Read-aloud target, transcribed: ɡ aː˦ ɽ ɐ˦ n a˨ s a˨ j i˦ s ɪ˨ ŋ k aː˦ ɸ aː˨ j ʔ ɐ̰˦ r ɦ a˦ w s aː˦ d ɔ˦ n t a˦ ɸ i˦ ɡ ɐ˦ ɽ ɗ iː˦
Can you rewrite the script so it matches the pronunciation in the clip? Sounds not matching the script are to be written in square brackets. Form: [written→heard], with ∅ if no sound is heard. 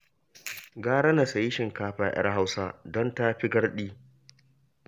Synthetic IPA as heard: ɡ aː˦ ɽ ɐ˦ n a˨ s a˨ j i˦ [s→ʃ] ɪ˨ ŋ k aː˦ ɸ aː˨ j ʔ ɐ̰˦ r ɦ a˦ w s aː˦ d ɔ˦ n t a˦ ɸ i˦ ɡ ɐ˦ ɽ ɗ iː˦